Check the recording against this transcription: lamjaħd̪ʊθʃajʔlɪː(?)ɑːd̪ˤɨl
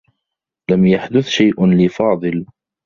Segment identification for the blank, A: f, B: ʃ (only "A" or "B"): A